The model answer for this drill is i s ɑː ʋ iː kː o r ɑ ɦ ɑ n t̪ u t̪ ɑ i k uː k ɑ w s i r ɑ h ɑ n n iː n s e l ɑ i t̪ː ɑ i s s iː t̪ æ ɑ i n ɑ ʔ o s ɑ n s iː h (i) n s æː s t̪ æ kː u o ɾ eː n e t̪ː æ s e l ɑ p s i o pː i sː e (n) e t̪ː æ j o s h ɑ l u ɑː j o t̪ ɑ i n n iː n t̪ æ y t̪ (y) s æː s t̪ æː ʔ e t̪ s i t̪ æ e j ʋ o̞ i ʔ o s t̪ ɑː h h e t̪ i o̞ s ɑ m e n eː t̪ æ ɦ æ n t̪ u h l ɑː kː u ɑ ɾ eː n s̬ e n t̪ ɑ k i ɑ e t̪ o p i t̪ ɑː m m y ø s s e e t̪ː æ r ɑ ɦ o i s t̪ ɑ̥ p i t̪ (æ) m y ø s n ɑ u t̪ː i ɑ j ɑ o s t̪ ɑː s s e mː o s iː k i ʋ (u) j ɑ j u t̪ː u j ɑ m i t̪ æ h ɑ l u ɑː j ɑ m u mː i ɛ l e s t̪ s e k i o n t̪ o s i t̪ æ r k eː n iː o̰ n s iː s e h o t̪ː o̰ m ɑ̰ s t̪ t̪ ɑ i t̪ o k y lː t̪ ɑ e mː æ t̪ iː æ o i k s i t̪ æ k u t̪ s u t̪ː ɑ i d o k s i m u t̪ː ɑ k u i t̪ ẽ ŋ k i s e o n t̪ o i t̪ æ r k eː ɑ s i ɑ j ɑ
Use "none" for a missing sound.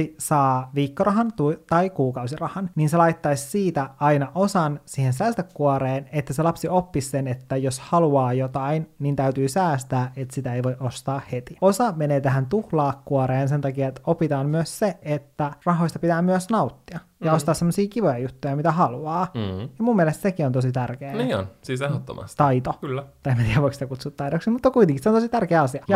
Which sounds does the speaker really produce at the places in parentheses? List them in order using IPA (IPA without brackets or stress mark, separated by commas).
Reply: e, n, yː, æː, o